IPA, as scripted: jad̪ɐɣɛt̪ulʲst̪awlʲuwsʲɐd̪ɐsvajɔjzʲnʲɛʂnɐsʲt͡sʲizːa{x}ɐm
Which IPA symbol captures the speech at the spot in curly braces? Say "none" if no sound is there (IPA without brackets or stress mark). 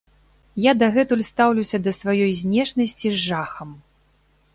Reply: x